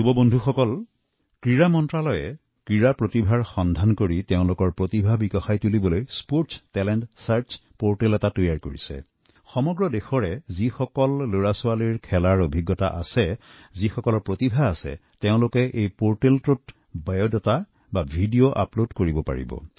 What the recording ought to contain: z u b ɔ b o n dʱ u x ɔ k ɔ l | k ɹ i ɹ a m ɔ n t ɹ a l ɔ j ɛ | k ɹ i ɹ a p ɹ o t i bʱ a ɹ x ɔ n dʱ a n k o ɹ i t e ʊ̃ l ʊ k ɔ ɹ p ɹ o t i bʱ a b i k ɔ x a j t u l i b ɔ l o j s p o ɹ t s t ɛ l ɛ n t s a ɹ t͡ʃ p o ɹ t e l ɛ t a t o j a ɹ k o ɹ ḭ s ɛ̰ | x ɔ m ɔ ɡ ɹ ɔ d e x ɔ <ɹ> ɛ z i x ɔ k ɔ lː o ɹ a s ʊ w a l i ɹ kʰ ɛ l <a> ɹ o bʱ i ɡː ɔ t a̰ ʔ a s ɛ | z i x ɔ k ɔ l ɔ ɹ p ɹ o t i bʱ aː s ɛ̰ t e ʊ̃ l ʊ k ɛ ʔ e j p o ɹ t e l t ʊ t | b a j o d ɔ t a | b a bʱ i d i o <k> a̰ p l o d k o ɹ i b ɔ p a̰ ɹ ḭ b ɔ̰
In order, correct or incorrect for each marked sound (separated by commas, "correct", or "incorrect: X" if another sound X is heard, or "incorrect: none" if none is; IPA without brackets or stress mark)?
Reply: correct, correct, incorrect: ʔ